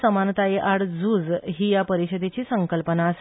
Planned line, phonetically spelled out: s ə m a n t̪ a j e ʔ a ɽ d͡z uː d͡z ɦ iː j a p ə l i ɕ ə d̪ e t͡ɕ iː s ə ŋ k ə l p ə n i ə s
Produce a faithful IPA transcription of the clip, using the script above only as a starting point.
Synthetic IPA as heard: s ə m a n t̪ a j e ʔ a ɽ d͡z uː d͡z ɦ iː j a p ə ɾ i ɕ ə d̪ e t͡ɕ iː s ə ŋ k ə l p ə n a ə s